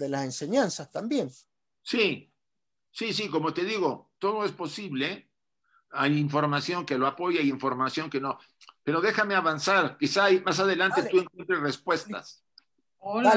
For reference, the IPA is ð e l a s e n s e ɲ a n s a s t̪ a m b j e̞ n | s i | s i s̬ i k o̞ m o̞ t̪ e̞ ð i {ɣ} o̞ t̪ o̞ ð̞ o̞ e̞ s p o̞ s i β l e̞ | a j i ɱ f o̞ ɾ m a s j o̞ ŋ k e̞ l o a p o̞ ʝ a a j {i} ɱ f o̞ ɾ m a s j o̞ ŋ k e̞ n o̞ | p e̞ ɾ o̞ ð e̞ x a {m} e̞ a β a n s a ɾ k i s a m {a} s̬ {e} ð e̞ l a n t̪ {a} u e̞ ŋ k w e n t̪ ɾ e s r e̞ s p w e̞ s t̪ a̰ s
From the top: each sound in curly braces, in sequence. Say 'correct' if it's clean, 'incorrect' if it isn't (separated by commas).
correct, correct, correct, correct, incorrect, incorrect